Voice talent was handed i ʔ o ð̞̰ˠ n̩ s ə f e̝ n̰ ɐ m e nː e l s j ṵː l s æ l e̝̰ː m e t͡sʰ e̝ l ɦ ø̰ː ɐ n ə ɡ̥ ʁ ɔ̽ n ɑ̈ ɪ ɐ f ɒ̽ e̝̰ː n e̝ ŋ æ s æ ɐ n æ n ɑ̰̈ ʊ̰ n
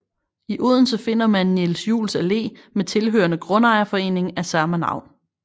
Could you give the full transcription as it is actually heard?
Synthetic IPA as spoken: i ʔ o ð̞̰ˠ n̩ s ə f e̝ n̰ ɐ m æ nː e l s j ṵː l s æ l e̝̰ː m e t͡sʰ e̝ l ɦ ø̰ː ɐ n ə ɡ̥ ʁ ɔ̽ n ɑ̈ ɪ ɐ f ɒ̽ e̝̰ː n e̝ ŋ æ s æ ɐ m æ n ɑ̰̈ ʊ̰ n